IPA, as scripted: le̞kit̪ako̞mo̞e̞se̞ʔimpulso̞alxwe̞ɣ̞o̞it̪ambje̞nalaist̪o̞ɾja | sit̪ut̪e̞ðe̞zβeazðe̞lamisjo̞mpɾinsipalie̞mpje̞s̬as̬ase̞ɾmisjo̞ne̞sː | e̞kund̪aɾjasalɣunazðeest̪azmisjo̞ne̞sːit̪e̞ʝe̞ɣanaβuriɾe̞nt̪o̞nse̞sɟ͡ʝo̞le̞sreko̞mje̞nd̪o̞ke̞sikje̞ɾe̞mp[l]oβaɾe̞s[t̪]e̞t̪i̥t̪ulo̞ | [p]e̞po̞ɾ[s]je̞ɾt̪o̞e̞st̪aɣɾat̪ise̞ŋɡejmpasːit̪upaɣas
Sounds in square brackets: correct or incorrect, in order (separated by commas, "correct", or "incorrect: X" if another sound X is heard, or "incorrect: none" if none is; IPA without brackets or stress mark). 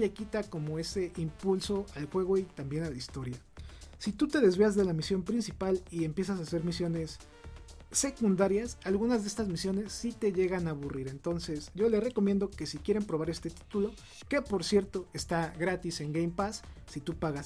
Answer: incorrect: ɾ, correct, incorrect: k, correct